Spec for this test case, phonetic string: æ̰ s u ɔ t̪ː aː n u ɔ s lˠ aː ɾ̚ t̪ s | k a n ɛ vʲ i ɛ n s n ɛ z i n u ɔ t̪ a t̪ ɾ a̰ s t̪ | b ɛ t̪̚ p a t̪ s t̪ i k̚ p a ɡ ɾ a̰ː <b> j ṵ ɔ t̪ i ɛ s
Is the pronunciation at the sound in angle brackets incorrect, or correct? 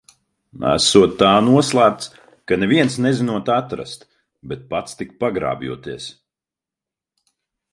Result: correct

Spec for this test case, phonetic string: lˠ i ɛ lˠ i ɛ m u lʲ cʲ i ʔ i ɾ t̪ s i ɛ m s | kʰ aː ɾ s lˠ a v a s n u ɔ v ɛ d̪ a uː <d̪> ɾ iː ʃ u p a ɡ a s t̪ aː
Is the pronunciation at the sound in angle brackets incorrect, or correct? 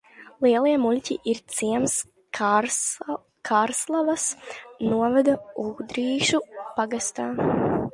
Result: correct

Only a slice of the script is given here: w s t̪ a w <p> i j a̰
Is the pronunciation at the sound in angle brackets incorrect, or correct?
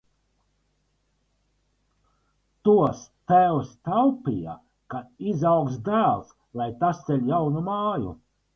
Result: correct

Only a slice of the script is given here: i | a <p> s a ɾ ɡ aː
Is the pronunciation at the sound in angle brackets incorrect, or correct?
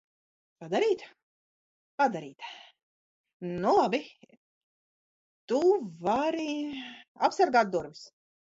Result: correct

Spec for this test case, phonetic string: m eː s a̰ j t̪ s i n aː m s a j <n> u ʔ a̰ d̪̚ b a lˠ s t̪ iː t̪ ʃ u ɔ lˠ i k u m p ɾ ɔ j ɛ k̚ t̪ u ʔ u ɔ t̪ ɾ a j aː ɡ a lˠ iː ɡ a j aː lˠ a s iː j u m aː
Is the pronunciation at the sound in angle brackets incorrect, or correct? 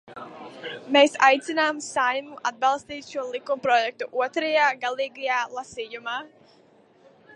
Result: incorrect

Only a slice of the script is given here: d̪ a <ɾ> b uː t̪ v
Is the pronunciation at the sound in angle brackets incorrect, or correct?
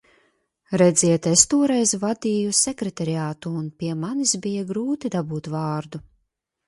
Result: incorrect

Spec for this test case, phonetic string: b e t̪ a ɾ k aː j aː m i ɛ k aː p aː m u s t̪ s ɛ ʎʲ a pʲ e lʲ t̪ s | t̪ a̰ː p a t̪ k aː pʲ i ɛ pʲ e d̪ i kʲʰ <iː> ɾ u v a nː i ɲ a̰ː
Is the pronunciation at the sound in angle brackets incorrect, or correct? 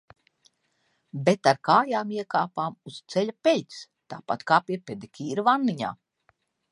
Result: correct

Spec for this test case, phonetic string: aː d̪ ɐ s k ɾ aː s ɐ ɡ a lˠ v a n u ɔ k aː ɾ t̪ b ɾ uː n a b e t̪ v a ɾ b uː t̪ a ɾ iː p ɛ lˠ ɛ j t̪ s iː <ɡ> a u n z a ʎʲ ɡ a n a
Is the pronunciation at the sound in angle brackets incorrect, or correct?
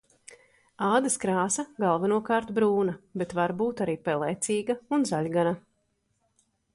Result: correct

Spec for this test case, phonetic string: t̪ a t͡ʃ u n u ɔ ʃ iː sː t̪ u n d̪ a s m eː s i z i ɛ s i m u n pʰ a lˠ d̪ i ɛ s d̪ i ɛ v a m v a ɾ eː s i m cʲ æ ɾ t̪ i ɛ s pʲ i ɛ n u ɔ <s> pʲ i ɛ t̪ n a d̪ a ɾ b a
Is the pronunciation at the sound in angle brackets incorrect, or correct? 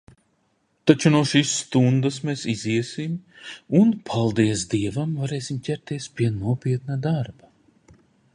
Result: incorrect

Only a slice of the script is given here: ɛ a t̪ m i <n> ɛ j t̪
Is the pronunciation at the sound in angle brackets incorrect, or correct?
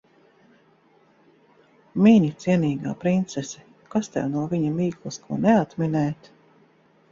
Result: correct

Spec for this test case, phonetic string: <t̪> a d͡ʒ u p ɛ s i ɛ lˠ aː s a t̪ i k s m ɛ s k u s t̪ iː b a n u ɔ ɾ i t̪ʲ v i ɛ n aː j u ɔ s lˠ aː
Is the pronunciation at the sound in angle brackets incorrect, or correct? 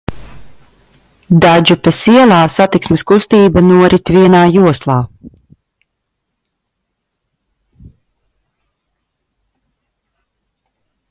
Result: incorrect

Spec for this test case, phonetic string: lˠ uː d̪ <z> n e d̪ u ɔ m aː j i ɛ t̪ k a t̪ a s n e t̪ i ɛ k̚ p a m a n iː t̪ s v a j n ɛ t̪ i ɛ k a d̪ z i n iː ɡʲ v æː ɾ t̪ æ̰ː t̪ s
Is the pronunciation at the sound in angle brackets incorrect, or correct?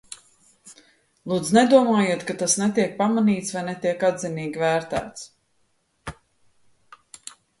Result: correct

